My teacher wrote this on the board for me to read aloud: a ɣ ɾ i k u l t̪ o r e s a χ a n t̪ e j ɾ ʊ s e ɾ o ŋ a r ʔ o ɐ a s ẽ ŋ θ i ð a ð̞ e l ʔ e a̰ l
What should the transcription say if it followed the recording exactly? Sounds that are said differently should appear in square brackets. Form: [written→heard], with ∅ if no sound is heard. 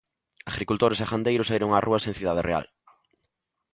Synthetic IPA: a ɣ ɾ i k u l t̪ o [r→ɾ] e s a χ a n [t̪→d̪] e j ɾ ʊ s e ɾ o ŋ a r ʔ [o→u] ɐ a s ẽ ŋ θ i ð a ð̞ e [l→r] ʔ e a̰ l